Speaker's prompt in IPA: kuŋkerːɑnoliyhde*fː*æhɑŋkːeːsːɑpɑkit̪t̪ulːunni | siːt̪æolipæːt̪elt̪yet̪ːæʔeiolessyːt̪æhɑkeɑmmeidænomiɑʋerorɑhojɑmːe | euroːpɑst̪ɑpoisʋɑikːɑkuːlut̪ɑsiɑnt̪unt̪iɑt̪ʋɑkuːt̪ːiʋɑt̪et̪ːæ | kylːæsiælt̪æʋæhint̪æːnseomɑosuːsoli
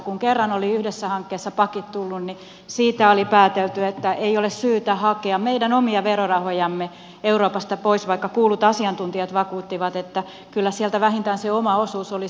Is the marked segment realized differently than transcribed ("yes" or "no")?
yes